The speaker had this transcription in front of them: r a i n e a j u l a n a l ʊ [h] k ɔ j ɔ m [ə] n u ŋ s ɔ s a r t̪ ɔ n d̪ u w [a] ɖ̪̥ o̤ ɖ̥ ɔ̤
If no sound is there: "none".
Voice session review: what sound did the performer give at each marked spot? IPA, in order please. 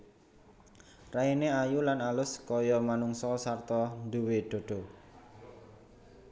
s, a, e

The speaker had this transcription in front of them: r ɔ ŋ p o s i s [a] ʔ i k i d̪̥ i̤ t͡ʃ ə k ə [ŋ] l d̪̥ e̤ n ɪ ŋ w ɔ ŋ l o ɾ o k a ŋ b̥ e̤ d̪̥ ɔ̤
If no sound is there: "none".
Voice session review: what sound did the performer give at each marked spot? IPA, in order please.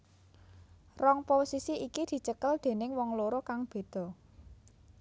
i, none

